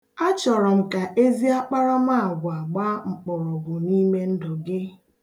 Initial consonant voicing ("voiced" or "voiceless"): voiceless